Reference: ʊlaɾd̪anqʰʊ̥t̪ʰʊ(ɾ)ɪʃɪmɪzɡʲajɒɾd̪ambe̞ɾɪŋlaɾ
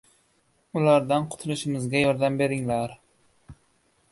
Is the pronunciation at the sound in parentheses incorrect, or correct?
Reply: incorrect